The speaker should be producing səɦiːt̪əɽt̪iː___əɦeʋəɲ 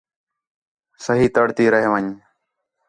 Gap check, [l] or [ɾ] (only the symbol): ɾ